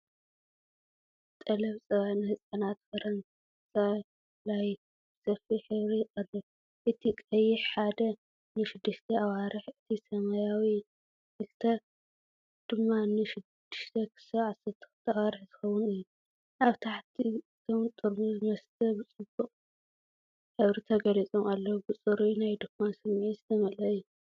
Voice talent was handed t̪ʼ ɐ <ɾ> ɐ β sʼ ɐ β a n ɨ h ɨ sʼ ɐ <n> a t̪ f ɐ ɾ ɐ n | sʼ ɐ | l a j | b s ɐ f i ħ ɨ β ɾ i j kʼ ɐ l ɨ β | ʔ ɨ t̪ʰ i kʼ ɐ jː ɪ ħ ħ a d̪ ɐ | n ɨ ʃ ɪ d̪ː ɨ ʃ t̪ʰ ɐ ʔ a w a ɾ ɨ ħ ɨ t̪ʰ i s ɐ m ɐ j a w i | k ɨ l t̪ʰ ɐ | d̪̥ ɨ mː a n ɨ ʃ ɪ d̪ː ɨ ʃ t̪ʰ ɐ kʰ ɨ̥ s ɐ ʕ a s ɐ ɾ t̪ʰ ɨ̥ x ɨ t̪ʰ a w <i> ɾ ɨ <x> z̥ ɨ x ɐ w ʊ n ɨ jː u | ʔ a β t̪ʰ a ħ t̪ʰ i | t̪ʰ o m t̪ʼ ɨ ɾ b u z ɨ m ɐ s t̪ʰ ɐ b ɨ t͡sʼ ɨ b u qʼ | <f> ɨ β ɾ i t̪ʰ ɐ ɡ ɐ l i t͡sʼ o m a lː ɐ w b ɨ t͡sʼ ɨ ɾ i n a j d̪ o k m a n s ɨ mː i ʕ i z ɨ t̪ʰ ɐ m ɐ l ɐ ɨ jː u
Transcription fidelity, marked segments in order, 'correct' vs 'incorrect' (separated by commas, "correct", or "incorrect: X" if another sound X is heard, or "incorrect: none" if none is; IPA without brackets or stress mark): incorrect: l, correct, incorrect: a, incorrect: ħ, incorrect: ħ